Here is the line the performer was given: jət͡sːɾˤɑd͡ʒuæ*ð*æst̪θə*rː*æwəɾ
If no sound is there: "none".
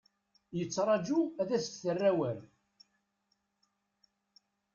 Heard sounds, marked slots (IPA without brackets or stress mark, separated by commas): ð, rː